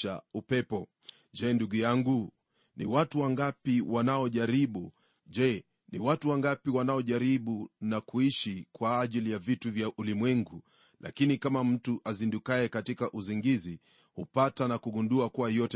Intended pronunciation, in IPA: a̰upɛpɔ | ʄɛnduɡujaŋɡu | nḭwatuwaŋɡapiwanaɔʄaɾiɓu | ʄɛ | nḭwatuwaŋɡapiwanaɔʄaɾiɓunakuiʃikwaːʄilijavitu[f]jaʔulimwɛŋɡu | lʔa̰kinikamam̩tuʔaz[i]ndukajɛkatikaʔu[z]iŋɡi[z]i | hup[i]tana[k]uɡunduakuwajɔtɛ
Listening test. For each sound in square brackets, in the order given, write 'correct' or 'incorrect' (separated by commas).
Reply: incorrect, correct, correct, correct, incorrect, correct